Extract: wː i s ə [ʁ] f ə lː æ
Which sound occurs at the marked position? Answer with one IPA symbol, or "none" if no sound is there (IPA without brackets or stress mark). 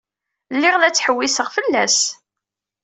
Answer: ʁ